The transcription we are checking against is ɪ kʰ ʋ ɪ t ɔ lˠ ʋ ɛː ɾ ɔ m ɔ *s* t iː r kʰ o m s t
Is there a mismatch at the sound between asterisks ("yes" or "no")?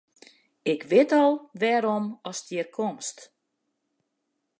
no